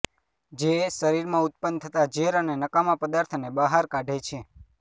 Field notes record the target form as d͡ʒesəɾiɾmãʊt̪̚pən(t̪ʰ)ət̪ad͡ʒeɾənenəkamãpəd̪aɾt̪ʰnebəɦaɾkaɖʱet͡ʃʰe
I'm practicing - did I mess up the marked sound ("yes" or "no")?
no